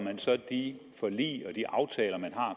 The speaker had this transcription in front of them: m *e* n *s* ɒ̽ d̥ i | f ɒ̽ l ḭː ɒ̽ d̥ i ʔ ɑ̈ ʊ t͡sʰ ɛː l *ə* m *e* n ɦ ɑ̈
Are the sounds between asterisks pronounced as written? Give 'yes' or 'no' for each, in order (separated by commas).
no, yes, no, no